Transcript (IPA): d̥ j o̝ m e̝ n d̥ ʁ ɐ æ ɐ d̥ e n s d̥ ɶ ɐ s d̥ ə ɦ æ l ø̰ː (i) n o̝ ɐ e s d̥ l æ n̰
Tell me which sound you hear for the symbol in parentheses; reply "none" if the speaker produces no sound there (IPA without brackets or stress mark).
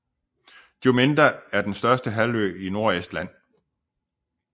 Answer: i